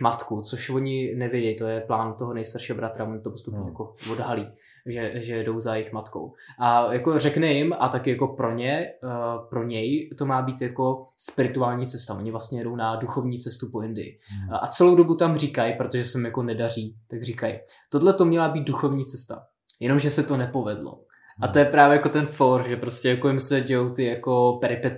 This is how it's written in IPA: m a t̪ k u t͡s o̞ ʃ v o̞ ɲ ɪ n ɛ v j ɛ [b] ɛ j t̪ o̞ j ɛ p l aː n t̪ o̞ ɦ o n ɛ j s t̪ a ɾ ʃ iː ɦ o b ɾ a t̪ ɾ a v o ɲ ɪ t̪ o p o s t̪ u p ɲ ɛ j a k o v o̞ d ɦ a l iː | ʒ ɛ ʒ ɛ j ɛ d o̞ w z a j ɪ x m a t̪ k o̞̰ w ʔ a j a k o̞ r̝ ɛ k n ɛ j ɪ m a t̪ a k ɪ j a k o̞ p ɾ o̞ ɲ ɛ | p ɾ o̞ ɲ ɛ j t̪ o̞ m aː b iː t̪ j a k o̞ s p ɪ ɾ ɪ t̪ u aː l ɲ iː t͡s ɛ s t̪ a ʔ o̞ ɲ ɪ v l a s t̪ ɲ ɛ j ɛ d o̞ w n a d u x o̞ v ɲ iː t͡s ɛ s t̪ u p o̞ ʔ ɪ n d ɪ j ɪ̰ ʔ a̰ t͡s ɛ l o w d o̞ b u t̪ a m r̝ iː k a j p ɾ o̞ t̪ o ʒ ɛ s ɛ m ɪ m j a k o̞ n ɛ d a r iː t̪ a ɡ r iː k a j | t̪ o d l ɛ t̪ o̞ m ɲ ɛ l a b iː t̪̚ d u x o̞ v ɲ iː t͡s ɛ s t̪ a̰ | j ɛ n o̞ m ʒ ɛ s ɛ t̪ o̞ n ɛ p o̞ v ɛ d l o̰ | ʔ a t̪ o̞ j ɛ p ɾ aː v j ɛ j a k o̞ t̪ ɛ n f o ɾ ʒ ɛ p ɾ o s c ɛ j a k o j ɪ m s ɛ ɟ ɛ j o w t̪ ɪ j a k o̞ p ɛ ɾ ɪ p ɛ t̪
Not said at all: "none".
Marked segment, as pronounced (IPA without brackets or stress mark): ɟ